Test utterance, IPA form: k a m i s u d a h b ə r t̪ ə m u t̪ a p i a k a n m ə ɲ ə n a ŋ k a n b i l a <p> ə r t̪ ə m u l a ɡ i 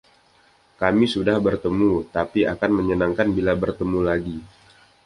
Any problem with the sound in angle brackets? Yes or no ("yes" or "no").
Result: yes